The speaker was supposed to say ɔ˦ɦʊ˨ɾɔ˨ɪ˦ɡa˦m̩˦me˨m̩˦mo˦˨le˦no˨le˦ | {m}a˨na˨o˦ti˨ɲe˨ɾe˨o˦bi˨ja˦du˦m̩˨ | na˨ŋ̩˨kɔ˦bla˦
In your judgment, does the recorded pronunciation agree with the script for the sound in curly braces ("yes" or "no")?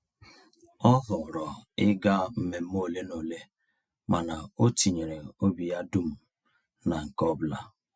yes